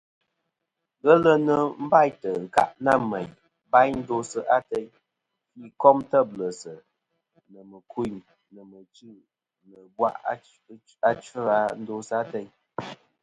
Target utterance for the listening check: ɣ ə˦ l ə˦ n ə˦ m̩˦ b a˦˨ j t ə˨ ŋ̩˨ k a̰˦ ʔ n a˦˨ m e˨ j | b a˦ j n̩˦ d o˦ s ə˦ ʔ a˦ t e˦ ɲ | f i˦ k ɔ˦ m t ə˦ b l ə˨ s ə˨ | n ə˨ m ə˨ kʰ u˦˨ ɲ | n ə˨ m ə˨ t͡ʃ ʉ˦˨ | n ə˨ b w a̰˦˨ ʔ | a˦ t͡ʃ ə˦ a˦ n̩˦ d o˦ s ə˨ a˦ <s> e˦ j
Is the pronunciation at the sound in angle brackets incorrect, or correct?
incorrect